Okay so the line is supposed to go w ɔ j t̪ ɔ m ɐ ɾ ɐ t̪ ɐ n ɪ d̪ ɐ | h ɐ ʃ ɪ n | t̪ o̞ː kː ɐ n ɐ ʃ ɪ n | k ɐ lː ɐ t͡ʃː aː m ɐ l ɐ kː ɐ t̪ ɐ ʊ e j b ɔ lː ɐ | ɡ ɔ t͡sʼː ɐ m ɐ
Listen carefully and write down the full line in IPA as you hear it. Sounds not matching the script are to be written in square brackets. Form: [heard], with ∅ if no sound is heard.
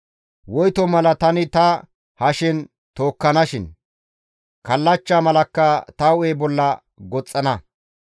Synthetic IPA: w ɔ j t̪ ɔ m ɐ [l] ɐ t̪ ɐ n ɪ [t̪] ɐ | h ɐ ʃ ɪ n | t̪ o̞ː kː ɐ n ɐ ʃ ɪ n | k ɐ lː ɐ t͡ʃː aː m ɐ l ɐ kː ɐ t̪ ɐ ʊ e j b ɔ lː ɐ | ɡ ɔ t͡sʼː ɐ [n] ɐ